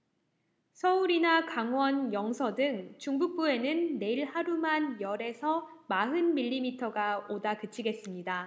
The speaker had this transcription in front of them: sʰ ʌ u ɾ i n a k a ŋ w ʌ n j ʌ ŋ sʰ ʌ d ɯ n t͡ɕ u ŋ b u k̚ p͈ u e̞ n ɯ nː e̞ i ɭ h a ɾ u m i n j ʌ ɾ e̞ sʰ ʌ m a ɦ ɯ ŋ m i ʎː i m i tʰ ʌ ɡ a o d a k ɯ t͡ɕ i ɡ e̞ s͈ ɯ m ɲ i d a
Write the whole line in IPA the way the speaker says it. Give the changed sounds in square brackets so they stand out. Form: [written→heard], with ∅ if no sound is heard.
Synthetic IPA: sʰ ʌ u ɾ i n a k a ŋ w ʌ n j ʌ ŋ sʰ ʌ d ɯ [n→ŋ] t͡ɕ u ŋ b u k̚ p͈ u e̞ n ɯ nː e̞ i ɭ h a ɾ u m [i→a] n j ʌ ɾ e̞ sʰ ʌ m a ɦ ɯ [ŋ→n] m i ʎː i m i tʰ ʌ ɡ a o d a k ɯ [t͡ɕ→t͡ɕʰ] i ɡ e̞ s͈ ɯ m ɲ i d a

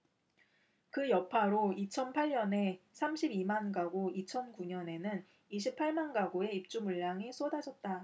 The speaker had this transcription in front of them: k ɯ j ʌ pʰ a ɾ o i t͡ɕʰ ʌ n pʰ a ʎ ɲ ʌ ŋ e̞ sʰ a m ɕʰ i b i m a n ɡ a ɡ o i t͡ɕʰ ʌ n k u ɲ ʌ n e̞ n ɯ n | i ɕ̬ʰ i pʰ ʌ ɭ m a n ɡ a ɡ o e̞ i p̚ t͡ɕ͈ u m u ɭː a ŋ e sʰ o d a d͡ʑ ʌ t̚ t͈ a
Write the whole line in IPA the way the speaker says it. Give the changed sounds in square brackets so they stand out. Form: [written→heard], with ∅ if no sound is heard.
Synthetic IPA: k ɯ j ʌ pʰ a ɾ o i t͡ɕʰ ʌ n pʰ a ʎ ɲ ʌ [ŋ→n] e̞ sʰ a m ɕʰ i b i m a n ɡ a ɡ o i t͡ɕʰ ʌ n k u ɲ ʌ n e̞ n ɯ n | i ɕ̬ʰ i pʰ [ʌ→a] ɭ m a n ɡ a ɡ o e̞ i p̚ t͡ɕ͈ u m u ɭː a ŋ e sʰ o d a d͡ʑ ʌ t̚ t͈ a

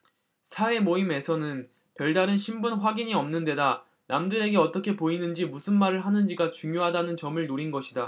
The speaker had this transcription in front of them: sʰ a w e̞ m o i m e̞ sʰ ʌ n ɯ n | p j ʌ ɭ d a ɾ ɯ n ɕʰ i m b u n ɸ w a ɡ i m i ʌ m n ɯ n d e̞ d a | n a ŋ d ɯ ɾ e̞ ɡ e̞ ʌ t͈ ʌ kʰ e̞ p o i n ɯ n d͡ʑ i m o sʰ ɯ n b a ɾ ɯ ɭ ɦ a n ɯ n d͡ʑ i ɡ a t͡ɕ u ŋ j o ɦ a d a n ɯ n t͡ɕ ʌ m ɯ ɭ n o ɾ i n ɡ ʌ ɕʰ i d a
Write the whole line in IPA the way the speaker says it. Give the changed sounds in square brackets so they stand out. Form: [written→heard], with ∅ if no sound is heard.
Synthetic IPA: sʰ a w e̞ m o i m e̞ sʰ ʌ n ɯ n | p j ʌ ɭ d a ɾ ɯ n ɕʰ i m b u n ɸ w a ɡ i [m→ɲ] i ʌ m n ɯ n d e̞ d a | n a [ŋ→m] d ɯ ɾ e̞ ɡ e̞ ʌ t͈ ʌ kʰ e̞ p o i n ɯ n d͡ʑ i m [o→u] sʰ ɯ n [b→m] a ɾ ɯ ɭ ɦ a n ɯ n d͡ʑ i ɡ a t͡ɕ u ŋ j o ɦ a d a n ɯ n t͡ɕ ʌ m ɯ ɭ n o ɾ i n ɡ ʌ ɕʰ i d a

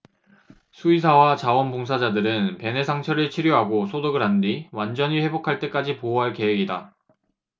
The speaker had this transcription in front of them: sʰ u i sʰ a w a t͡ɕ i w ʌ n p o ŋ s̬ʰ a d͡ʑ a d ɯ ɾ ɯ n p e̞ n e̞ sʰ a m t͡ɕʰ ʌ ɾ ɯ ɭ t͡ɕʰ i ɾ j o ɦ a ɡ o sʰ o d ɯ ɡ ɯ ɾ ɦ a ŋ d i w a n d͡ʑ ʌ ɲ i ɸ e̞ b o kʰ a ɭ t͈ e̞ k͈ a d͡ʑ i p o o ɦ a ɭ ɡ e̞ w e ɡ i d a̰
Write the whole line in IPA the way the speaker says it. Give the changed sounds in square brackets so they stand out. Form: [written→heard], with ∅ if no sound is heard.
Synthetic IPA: sʰ u i sʰ a w a t͡ɕ [i→a] w ʌ n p o ŋ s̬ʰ a d͡ʑ a d ɯ ɾ ɯ n p e̞ n e̞ sʰ a [m→ŋ] t͡ɕʰ ʌ ɾ ɯ ɭ t͡ɕʰ i ɾ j o ɦ a ɡ o sʰ o d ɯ ɡ ɯ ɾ ɦ a [ŋ→n] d i w a n d͡ʑ ʌ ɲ i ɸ e̞ b o kʰ a ɭ t͈ e̞ k͈ a d͡ʑ i p o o ɦ a ɭ [ɡ→k] e̞ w e ɡ i d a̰

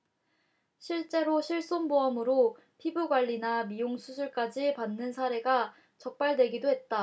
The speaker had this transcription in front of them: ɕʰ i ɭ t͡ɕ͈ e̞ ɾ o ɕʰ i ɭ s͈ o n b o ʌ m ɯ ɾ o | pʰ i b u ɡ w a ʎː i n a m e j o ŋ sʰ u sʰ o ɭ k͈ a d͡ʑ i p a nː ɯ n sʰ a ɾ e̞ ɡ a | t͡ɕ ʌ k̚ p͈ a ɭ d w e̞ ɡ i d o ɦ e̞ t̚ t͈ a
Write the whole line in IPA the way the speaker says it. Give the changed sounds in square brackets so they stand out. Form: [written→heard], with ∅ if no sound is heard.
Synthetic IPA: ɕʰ i ɭ t͡ɕ͈ e̞ ɾ o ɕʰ i ɭ s͈ o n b o ʌ m ɯ ɾ o | pʰ i b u ɡ w a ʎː i n a m [e→i] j o ŋ sʰ u sʰ [o→u] ɭ k͈ a d͡ʑ i p a nː ɯ n sʰ a ɾ e̞ ɡ a | t͡ɕ ʌ k̚ p͈ a ɭ d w e̞ ɡ i d o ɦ e̞ t̚ t͈ a

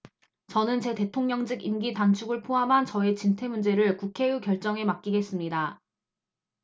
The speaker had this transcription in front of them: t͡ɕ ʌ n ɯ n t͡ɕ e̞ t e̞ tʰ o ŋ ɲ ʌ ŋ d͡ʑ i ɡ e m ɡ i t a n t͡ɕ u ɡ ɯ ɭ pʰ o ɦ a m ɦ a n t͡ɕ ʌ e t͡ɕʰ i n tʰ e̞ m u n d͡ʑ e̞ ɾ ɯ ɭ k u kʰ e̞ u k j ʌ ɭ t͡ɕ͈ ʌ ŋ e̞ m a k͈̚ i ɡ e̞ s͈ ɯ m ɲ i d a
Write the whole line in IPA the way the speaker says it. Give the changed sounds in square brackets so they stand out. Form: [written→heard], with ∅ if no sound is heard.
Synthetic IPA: t͡ɕ ʌ n ɯ n t͡ɕ e̞ t e̞ tʰ o ŋ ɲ ʌ ŋ d͡ʑ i ɡ [e→i] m ɡ i t a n [t͡ɕ→t͡ɕʰ] u ɡ ɯ ɭ pʰ o ɦ a m ɦ a n t͡ɕ ʌ e [t͡ɕʰ→t͡ɕ] i n tʰ e̞ m u n d͡ʑ e̞ ɾ ɯ ɭ k u kʰ e̞ u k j ʌ ɭ t͡ɕ͈ ʌ ŋ e̞ m a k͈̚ i ɡ e̞ s͈ ɯ m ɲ i d a

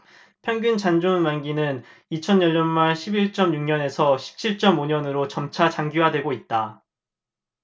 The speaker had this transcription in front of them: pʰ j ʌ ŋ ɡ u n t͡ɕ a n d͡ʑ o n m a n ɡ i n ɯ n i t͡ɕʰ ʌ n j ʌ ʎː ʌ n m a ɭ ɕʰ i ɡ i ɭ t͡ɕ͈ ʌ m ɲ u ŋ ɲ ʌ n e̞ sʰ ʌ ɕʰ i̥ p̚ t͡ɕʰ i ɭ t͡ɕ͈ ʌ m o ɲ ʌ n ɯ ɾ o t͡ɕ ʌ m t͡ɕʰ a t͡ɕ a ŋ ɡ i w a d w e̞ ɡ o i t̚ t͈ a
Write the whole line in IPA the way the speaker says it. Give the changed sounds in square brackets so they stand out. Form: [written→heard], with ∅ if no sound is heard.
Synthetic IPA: pʰ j ʌ ŋ ɡ u n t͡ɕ a n d͡ʑ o n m a n ɡ i n ɯ n i t͡ɕʰ ʌ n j ʌ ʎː ʌ n m a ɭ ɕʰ i [ɡ→b] i ɭ t͡ɕ͈ ʌ m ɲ u ŋ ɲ ʌ n e̞ sʰ ʌ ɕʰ i̥ p̚ t͡ɕʰ i ɭ t͡ɕ͈ ʌ m o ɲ ʌ n ɯ ɾ o t͡ɕ ʌ m t͡ɕʰ a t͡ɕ a ŋ ɡ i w a d w e̞ ɡ o i t̚ t͈ a

